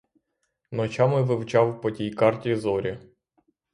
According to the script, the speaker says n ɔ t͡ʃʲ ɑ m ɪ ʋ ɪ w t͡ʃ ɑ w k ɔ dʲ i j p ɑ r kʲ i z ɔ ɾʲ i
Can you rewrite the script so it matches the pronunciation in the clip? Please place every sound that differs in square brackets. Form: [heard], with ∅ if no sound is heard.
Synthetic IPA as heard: n ɔ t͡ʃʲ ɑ m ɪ ʋ ɪ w t͡ʃ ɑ w [p] ɔ [tʲ] i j [k] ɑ r [tʲ] i z ɔ ɾʲ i